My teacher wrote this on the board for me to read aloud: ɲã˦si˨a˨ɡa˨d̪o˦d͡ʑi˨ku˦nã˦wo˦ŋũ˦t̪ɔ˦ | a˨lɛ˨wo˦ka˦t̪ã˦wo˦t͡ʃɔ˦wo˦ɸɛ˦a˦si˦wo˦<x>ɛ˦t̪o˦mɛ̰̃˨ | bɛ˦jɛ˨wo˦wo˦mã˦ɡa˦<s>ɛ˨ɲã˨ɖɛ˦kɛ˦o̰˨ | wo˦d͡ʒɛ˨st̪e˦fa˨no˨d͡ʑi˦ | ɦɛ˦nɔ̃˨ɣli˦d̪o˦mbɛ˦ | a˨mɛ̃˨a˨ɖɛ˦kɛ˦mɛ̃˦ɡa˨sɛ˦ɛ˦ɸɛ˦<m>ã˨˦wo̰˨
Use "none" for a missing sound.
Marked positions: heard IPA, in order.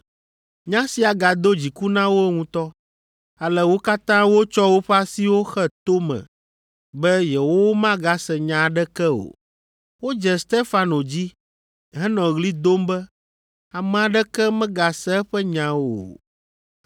x, s, ɲ

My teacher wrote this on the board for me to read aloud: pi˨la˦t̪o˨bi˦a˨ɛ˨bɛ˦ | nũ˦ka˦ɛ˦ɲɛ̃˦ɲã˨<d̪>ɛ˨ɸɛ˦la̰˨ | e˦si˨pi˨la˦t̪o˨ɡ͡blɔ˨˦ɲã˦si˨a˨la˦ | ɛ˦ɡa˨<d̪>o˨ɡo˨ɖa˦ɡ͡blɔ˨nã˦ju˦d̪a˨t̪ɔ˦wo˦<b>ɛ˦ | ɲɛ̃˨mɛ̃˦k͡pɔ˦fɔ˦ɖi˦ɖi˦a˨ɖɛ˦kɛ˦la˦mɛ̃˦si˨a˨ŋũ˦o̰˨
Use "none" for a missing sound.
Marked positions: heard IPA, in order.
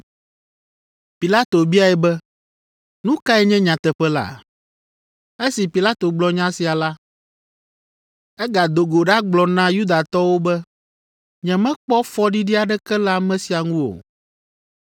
t̪, d̪, b

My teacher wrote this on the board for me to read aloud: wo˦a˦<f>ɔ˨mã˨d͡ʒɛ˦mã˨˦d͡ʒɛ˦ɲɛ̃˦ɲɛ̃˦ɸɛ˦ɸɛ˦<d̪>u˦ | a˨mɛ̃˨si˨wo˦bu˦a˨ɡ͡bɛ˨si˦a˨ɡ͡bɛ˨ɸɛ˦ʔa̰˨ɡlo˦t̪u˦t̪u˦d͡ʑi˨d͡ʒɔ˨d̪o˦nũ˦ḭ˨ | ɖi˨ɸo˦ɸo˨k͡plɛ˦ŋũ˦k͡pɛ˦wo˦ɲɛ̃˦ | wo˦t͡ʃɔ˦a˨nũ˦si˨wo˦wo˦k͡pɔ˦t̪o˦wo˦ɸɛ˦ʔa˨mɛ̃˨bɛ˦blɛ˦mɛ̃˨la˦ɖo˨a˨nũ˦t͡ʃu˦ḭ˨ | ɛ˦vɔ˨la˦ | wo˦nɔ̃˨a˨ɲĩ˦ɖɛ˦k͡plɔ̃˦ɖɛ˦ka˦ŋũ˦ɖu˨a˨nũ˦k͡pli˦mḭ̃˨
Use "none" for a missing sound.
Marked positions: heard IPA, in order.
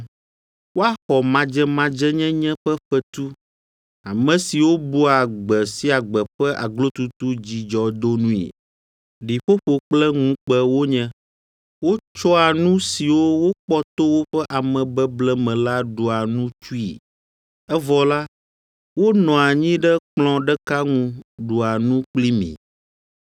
x, t̪

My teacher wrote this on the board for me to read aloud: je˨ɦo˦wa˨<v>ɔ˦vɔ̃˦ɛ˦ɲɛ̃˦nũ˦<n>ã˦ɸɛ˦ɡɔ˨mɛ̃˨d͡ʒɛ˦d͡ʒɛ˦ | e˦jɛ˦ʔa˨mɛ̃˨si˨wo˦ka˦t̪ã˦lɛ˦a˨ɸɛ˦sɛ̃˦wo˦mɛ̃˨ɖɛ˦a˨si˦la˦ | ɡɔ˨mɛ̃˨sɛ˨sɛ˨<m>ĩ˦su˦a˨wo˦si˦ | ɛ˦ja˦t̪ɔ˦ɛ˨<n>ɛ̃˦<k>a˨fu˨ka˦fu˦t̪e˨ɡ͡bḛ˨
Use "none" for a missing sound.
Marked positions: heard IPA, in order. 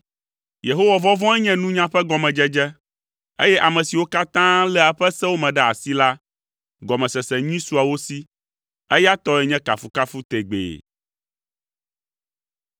v, ɲ, ɲ, ɲ, k

